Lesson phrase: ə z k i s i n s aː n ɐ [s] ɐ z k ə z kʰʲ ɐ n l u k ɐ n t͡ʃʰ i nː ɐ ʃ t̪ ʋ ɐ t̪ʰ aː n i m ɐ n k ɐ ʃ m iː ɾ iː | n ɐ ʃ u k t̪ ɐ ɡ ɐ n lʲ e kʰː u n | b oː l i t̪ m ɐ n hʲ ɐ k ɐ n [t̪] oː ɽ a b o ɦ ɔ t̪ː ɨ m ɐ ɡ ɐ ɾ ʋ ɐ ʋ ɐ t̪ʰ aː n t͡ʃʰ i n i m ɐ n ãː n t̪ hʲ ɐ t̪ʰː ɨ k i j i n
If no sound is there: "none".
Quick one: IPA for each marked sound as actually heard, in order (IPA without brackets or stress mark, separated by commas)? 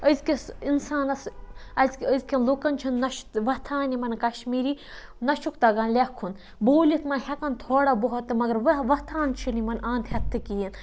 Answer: s, t̪ʰ